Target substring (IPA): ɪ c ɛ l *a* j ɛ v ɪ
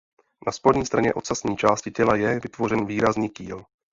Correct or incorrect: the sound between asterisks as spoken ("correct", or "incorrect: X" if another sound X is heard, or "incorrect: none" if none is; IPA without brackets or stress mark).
correct